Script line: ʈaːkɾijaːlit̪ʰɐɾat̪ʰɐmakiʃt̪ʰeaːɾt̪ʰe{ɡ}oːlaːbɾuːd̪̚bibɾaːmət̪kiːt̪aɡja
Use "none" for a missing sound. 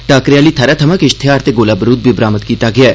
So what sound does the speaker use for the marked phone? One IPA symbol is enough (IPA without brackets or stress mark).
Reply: ɡ